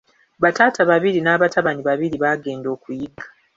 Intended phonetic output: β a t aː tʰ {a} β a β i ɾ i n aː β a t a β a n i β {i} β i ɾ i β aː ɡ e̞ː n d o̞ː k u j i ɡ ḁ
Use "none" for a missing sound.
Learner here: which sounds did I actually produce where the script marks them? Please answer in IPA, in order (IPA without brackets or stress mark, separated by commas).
a, a